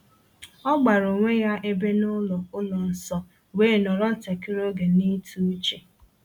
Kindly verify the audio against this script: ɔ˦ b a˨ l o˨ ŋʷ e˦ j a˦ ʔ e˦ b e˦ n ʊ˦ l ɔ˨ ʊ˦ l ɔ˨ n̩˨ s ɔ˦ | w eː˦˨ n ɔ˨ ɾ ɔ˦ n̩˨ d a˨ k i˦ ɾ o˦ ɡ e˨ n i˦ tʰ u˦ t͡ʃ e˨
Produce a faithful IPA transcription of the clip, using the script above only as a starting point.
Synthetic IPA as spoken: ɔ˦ ɡ͡b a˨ ɾ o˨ ŋʷ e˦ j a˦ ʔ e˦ b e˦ n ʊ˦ l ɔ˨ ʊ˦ l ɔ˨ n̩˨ s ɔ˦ | w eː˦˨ n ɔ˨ ɾ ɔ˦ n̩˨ t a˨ k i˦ ɾ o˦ ɡ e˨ n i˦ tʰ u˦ t͡ʃ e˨